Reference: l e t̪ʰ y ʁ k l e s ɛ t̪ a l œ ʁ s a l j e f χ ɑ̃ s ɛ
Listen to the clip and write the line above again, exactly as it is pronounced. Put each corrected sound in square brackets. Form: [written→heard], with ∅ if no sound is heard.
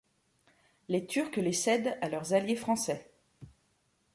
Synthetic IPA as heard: l e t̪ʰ y ʁ k l e s ɛ [t̪→d̪] a l œ ʁ [s→z] a l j e f χ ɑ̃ s ɛ